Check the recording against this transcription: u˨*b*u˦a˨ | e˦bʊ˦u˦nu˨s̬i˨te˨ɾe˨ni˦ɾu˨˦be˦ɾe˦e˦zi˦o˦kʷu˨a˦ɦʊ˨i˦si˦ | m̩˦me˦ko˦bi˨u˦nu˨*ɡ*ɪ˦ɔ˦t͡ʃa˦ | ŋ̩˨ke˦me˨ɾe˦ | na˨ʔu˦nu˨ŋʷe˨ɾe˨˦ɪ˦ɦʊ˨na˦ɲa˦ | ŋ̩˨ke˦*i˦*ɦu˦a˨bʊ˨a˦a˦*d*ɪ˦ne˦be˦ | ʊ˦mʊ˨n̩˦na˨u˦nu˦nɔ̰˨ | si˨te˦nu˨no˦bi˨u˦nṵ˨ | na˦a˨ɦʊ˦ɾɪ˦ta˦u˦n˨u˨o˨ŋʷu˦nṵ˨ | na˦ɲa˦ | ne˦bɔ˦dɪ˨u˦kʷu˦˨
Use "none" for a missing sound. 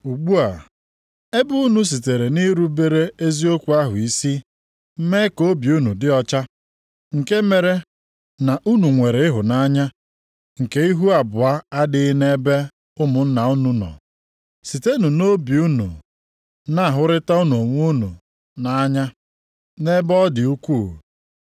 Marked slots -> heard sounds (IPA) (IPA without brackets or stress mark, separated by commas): ɡ͡b, d, i˦, d